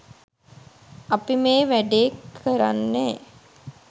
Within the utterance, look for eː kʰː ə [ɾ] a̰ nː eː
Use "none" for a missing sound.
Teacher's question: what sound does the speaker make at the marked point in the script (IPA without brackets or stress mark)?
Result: ɾ